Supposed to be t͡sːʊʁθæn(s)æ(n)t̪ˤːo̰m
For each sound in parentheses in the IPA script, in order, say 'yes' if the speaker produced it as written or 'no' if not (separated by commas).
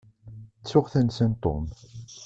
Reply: yes, yes